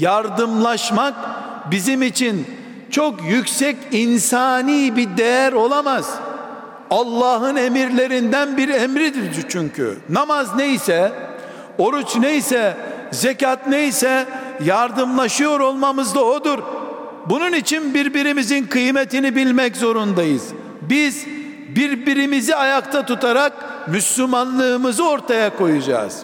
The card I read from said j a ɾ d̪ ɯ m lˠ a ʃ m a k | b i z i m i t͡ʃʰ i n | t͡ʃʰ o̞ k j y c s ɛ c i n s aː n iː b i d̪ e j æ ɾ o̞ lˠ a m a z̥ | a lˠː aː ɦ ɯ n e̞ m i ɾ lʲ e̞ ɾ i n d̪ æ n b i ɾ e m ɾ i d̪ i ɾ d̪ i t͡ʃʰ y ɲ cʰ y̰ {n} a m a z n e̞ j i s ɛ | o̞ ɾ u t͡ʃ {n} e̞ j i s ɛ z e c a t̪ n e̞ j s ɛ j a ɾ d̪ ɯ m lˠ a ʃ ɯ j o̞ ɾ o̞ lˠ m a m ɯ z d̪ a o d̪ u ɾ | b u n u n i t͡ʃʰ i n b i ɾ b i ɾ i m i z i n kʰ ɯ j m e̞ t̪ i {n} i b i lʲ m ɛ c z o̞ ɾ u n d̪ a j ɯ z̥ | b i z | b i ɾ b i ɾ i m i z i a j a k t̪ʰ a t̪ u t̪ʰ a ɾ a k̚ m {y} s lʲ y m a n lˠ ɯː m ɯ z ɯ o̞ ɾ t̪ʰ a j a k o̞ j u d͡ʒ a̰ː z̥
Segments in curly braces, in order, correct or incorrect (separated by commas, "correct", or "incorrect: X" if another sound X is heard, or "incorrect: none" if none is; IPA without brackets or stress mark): correct, correct, correct, correct